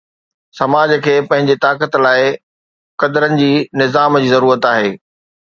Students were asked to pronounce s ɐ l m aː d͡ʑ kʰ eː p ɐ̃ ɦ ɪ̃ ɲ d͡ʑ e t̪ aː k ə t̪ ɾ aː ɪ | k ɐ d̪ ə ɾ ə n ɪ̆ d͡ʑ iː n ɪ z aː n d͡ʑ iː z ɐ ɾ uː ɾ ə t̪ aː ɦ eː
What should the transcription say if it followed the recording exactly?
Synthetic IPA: s ɐ m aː d͡ʑ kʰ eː p ɐ̃ ɦ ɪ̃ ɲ d͡ʑ e t̪ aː k ə t̪ l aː ɪ | k ɐ d̪ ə ɾ ə n ɪ̆ d͡ʑ iː n ɪ z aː m d͡ʑ iː z ɐ ɾ uː ɾ ə t̪ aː ɦ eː

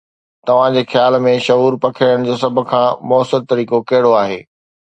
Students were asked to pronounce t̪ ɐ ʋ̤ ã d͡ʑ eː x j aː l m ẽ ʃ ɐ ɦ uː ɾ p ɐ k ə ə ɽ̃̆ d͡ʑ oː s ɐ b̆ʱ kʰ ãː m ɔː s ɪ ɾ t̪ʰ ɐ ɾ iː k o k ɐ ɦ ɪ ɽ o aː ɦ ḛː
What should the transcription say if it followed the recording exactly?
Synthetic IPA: t̪ ɐ ʋ̤ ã d͡ʑ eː x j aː l m ẽ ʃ ɐ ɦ uː ɾ p ɐ kʰ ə ə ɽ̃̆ d͡ʑ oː s ɐ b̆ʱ kʰ ãː m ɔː s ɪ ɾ t̪ ɐ ɾ iː k o k ɐ ɦ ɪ ɽ o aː ɦ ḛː

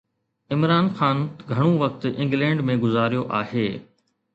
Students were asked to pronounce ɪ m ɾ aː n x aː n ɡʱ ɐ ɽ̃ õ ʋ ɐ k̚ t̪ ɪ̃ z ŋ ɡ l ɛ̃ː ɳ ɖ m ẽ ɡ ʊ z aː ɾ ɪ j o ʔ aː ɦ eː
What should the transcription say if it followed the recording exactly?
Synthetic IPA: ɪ m ɾ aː n x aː n ɡʱ ɐ ɽ̃ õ ʋ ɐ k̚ t̪ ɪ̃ ŋ ɡ l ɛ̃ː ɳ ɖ m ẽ ɡ ʊ z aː ɾ i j o ʔ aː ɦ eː

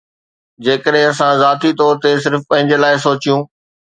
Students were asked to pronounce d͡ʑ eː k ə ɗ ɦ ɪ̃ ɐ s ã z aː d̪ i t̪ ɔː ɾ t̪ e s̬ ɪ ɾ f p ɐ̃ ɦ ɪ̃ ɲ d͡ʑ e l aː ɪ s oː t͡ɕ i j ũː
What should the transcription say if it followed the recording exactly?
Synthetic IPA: d͡ʑ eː k ə ɗ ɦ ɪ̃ ɐ s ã z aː t̪ i t̪ ɔː ɾ t̪ e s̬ ɪ ɾ f p ɐ̃ ɦ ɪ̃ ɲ d͡ʑ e l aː ɪ s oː t͡ɕ i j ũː

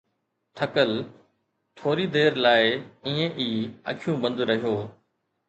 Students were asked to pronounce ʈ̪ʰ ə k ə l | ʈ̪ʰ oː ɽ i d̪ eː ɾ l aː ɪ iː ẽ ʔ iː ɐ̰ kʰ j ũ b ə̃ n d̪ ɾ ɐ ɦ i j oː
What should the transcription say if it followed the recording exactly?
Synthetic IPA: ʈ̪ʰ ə k ə l | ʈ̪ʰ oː ɾ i d̪ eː ɾ l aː ɪ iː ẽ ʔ iː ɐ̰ kʰ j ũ b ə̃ n d̪ ɾ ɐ ɦ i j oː

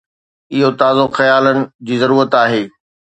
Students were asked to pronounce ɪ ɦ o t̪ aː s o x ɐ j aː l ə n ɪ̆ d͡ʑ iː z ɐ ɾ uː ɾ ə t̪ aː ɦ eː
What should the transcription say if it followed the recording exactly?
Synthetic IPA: ɪ ɦ o t̪ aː z o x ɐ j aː l ə n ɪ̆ d͡ʑ iː z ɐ ɾ uː ɾ ə t̪ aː ɦ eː

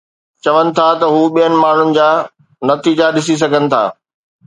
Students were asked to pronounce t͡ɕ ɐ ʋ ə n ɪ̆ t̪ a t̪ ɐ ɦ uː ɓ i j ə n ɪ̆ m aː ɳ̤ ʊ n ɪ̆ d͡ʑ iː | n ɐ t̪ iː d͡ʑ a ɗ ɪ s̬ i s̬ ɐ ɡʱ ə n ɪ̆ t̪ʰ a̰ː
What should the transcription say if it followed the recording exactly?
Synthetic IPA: t͡ɕ ɐ ʋ ə n ɪ̆ t̪ʰ a t̪ ɐ ɦ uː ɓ i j ə n ɪ̆ m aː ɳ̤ ʊ n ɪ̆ d͡ʑ aː | n ɐ t̪ iː d͡ʑ a ɗ ɪ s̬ i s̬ ɐ ɡʱ ə n ɪ̆ t̪ʰ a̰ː

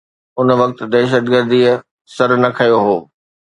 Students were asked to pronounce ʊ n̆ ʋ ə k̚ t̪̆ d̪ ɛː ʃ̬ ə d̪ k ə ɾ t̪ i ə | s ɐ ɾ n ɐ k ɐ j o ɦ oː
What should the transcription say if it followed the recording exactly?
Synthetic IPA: ʊ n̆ ʋ ɐ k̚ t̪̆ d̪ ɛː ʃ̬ ə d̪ ɡ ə ɾ d̪ i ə | s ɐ ɾ n ɐ kʰ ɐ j o ɦ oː

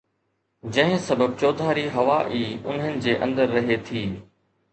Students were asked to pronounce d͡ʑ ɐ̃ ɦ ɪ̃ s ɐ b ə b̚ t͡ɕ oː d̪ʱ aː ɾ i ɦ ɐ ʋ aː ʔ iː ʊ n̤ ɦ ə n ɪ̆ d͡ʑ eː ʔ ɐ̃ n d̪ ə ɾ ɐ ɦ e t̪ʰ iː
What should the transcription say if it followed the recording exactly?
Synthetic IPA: d͡ʑ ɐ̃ ɦ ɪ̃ s ɐ b ə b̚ t͡ɕ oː d̪ʱ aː ɾ i ɦ ɐ ʋ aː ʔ iː ʊ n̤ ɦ ə n ɪ̆ d͡ʑ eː ʔ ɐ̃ n d̪ ə ɾː ɐ ɦ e t̪ʰ iː

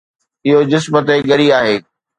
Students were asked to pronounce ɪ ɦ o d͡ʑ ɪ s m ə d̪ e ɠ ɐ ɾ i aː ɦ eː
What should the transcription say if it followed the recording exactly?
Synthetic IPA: ɪ ɦ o d͡ʑ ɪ s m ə t̪ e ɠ ɐ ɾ i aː ɦ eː

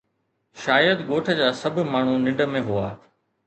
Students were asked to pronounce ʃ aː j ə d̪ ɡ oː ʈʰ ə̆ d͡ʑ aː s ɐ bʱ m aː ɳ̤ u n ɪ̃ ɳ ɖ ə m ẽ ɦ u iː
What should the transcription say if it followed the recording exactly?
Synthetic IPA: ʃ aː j ə d̪ ɡ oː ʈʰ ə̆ d͡ʑ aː s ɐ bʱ m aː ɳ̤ u n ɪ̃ ɳ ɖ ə m ẽ ɦ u aː

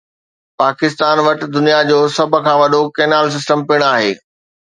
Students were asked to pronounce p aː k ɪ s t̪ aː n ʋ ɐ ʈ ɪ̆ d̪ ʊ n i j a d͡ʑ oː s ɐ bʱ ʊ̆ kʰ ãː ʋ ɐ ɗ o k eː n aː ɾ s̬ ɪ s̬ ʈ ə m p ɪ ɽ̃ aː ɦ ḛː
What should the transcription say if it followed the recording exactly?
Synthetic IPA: p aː k ɪ s t̪ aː n ʋ ɐ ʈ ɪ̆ d̪ ʊ n i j a d͡ʑ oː s ɐ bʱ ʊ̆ kʰ ãː ʋ ɐ ɗ o k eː n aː l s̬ ɪ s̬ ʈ ə m p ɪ ɽ̃ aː ɦ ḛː

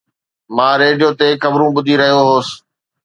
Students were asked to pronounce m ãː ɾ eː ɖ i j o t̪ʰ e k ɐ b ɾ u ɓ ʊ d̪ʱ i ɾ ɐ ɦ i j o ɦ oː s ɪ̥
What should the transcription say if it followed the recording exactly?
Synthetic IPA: m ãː ɾ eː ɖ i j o t̪ e k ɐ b ɾ ũ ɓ ʊ d̪ʱ i ɾ ɐ ɦ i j o ɦ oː s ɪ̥

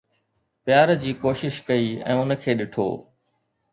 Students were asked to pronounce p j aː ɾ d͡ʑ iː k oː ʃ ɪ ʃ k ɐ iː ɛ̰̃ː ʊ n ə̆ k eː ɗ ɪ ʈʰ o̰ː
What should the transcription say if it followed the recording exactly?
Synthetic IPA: p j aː ɾ d͡ʑ iː k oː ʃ ɪ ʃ k ɐ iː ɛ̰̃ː ʊ n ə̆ kʰ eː ɗ ɪ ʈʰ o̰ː

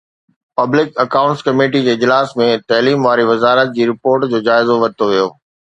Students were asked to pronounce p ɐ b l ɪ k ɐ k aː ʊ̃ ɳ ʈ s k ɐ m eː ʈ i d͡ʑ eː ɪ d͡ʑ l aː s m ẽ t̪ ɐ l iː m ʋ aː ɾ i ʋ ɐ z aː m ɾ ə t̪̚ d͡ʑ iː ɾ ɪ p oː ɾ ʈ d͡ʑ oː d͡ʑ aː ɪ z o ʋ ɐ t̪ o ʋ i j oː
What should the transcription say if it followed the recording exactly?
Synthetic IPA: p ɐ b l ɪ k ɐ k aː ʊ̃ ɳ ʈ s k ɐ m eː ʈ i d͡ʑ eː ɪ d͡ʑ l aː s m ẽ t̪ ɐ l iː m ʋ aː ɾ i ʋ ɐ z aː ɾ ə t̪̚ d͡ʑ iː ɾ ɪ p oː ɾ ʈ d͡ʑ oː d͡ʑ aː ɪ z o ʋ ɐ t̪ o ʋ i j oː

